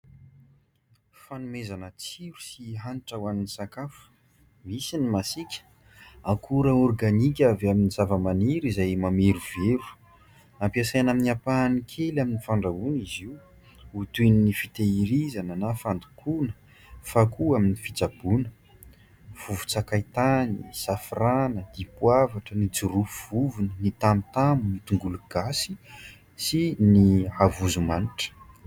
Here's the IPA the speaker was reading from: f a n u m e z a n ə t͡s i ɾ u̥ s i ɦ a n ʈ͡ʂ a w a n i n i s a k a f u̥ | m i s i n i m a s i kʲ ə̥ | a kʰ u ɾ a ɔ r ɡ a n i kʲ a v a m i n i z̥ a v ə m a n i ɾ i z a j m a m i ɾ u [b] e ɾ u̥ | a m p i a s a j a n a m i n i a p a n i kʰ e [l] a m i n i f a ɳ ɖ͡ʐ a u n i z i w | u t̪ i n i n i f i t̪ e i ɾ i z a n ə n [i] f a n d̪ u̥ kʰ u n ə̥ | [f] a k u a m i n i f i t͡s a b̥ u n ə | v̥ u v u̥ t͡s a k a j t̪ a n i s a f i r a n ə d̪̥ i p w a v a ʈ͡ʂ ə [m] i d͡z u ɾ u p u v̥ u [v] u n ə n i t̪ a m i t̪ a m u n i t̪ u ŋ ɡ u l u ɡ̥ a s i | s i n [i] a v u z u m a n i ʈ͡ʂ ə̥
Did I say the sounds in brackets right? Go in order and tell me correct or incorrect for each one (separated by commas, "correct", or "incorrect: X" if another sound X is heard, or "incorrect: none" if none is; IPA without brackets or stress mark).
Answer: incorrect: v, correct, incorrect: a, correct, incorrect: n, correct, correct